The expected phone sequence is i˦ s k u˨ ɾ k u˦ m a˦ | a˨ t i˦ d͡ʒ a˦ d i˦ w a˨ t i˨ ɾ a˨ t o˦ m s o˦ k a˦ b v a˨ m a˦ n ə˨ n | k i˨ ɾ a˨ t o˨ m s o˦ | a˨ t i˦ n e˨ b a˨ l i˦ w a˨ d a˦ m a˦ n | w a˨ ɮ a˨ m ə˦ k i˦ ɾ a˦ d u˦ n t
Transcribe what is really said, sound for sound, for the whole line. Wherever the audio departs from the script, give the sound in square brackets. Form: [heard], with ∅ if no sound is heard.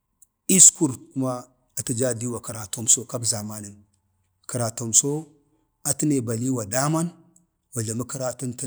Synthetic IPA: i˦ s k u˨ ɾ k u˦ m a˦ | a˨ t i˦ d͡ʒ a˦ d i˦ w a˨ [k] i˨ ɾ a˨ t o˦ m s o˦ k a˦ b [z] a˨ m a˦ n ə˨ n | k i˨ ɾ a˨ t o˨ m s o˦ | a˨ t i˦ n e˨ b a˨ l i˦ w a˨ d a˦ m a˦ n | w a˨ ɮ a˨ m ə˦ k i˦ ɾ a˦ [t] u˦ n t